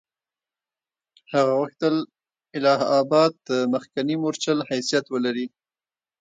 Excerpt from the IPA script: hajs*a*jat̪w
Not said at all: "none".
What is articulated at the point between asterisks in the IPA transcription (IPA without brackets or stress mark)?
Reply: i